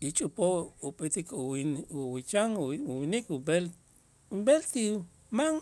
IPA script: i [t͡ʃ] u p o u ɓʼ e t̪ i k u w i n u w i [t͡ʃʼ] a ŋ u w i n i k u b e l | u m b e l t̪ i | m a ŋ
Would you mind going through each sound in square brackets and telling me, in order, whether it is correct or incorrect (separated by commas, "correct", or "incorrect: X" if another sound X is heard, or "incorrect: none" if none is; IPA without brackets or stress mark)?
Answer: incorrect: t͡ʃʼ, incorrect: t͡ʃ